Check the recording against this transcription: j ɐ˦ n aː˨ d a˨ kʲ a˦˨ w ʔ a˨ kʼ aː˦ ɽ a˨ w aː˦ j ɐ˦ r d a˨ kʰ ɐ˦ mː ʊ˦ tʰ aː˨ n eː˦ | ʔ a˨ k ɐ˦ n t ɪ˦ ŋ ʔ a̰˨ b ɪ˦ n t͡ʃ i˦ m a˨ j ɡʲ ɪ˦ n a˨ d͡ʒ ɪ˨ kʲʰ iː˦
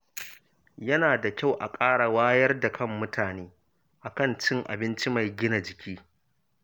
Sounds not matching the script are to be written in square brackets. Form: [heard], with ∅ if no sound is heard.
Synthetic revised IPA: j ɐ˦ n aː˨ d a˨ kʲ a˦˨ w ʔ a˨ kʼ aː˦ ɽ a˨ w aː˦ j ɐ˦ r d a˨ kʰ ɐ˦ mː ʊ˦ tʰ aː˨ n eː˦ | ʔ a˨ k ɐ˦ n [t͡ʃ] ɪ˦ ŋ ʔ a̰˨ b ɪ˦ n t͡ʃ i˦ m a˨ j ɡʲ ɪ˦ n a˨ d͡ʒ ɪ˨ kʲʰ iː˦

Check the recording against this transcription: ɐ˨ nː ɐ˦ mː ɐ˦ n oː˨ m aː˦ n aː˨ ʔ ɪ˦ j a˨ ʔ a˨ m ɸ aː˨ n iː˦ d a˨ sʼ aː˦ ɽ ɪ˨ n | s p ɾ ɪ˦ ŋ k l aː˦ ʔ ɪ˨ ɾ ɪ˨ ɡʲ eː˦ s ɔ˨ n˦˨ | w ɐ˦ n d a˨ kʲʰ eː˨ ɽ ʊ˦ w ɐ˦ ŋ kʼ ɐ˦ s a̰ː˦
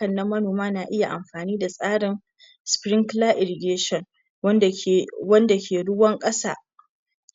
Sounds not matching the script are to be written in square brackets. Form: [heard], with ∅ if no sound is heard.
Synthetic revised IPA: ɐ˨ nː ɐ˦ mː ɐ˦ n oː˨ m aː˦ n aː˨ ʔ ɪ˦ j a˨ ʔ a˨ m ɸ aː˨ n iː˦ d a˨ sʼ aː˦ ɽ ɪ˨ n | s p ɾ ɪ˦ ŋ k l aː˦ ʔ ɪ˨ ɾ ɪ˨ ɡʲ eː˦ [ʃ] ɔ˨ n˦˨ | w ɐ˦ n d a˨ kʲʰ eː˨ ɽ ʊ˦ w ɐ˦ ŋ kʼ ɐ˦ s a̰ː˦

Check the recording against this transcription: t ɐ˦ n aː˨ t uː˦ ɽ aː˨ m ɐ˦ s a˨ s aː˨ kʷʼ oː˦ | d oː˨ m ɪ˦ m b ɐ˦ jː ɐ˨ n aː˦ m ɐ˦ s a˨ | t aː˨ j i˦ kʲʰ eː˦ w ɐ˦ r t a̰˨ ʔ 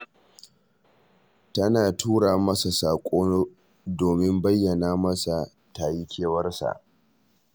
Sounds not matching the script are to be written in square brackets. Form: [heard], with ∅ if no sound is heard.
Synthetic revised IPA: t ɐ˦ n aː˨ t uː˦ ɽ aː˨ m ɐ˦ s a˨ s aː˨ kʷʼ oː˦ | d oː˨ m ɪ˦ m b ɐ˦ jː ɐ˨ n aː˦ m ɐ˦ s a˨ | t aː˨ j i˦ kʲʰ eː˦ w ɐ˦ r [s] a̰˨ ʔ

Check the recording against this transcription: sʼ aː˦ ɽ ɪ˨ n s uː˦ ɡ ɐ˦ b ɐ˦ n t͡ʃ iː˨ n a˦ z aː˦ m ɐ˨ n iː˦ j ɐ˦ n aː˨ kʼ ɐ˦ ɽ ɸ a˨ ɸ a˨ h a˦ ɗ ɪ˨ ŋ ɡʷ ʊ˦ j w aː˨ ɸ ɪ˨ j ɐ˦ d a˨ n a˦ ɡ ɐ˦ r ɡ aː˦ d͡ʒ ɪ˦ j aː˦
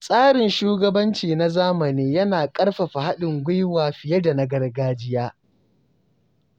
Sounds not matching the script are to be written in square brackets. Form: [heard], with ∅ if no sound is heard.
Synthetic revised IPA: sʼ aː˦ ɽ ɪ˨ n [ʃ] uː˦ ɡ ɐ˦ b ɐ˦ n t͡ʃ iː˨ n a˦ z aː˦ m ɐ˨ n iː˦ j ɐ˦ n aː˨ kʼ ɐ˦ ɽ ɸ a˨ ɸ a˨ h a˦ ɗ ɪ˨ ŋ ɡʷ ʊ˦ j w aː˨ ɸ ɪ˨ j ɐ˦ d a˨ n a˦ ɡ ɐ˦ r ɡ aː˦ d͡ʒ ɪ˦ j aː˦

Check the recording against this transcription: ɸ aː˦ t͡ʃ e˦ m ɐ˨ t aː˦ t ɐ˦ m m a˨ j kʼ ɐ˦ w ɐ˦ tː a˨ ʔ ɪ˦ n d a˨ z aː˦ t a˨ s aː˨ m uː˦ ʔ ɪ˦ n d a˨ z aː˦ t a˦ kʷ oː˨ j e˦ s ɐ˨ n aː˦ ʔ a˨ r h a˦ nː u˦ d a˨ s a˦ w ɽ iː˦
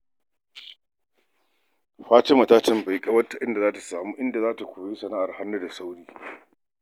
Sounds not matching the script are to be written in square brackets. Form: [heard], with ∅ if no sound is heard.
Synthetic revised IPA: ɸ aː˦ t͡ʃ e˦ m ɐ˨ t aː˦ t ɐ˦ m [b] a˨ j kʼ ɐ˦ w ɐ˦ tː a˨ ʔ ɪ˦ n d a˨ z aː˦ t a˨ s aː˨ m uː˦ ʔ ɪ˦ n d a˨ z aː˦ t [a˨] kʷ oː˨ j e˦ s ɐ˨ n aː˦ ʔ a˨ r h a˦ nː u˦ d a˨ s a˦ w ɽ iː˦

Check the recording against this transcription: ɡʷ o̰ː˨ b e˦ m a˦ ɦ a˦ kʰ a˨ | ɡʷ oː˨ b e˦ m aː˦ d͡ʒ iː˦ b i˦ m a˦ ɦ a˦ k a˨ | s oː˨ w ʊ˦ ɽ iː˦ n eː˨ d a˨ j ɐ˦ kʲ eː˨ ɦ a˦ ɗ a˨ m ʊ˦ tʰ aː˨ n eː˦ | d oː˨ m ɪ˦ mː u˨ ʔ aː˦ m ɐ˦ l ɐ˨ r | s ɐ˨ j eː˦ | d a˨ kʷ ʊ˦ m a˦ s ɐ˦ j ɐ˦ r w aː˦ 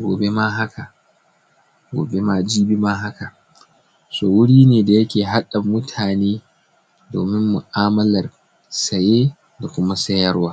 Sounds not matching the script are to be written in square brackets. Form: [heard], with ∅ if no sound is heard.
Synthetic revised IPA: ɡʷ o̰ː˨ b e˦ m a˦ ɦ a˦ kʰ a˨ | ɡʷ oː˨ b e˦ m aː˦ d͡ʒ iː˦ b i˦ m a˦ ɦ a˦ k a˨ | s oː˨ w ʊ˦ ɽ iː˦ n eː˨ d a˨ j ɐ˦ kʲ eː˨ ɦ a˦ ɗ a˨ m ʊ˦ tʰ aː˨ n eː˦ | d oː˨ m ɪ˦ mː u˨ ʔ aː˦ m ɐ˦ l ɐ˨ r | s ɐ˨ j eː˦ | d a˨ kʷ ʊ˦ m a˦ s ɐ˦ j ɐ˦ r w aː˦

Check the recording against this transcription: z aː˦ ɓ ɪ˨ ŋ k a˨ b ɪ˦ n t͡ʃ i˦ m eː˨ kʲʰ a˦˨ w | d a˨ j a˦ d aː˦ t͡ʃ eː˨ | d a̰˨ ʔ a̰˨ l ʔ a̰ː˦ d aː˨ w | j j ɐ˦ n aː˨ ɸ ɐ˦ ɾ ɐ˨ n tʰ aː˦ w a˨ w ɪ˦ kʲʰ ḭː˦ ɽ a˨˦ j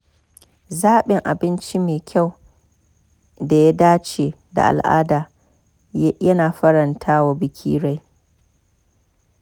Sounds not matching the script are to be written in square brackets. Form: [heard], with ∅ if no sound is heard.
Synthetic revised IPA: z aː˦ ɓ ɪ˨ ŋ [ʔ] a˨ b ɪ˦ n t͡ʃ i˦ m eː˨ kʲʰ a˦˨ w | d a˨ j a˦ d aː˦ t͡ʃ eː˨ | d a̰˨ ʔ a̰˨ l ʔ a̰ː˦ d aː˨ [∅] | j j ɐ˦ n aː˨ ɸ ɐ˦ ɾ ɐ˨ n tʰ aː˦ w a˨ [b] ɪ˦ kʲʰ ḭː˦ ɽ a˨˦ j

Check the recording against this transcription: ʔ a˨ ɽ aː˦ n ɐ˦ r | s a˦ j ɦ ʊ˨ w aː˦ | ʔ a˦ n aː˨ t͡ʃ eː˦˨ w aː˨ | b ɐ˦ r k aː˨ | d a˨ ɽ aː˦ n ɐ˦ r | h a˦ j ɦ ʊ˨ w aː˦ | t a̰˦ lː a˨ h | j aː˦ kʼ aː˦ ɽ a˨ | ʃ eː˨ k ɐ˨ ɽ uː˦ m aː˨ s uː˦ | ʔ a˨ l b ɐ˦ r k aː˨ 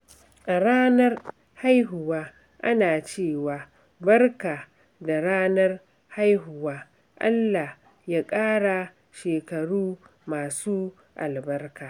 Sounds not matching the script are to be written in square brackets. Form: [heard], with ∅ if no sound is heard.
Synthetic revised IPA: ʔ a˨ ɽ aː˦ n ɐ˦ r | [h] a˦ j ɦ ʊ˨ w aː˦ | ʔ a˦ n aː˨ t͡ʃ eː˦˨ w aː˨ | b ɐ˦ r k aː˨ | d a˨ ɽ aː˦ n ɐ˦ r | h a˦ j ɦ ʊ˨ w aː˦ | [ʔ] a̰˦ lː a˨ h | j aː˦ kʼ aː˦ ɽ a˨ | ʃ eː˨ k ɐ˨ ɽ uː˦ m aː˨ s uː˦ | ʔ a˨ l b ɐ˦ r k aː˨

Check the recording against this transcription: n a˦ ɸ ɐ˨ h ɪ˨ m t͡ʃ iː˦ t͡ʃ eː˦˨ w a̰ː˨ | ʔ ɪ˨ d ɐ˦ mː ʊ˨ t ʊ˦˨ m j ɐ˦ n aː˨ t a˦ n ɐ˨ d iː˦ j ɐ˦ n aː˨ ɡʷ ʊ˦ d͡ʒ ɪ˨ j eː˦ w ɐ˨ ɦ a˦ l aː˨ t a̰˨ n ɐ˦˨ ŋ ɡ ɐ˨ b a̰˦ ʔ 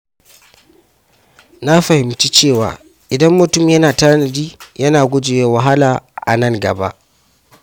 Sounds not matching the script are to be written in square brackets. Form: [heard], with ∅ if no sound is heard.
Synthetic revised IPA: n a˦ ɸ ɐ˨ h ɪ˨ m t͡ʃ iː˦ t͡ʃ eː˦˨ w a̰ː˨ | ʔ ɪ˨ d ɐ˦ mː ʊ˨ t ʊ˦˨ m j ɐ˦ n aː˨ t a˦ n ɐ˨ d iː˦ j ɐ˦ n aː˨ ɡʷ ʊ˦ d͡ʒ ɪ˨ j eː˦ w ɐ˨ ɦ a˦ l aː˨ [ʔ] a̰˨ n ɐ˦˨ ŋ ɡ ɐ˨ b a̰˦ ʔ

